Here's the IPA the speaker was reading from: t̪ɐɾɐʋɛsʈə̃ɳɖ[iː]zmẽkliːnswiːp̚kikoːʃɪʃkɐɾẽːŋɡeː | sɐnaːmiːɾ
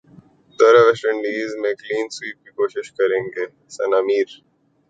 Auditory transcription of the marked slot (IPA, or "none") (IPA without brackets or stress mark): iː